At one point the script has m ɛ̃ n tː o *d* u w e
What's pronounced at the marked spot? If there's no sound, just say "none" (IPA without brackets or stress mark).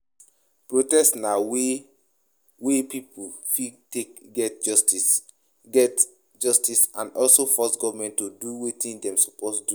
d